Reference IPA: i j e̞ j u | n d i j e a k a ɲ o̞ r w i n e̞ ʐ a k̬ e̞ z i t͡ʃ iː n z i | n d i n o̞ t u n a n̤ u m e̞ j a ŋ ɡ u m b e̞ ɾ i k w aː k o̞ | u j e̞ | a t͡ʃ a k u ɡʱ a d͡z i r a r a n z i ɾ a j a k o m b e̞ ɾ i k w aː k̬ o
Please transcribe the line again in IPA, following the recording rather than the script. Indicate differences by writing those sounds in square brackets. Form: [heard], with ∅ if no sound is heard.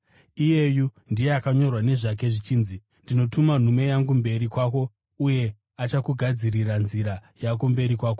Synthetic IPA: i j e̞ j u | n d i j e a k a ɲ o̞ r w [a] n e̞ ʐ a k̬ e̞ [ʐ] i t͡ʃ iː n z i | n d i n o̞ t u [m] a n̤ u m e̞ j a ŋ ɡ u m b e̞ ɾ i k w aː k o̞ | u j e̞ | a t͡ʃ a k u ɡʱ a d͡z i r [i] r a n z i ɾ a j a k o m b e̞ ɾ i k w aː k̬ o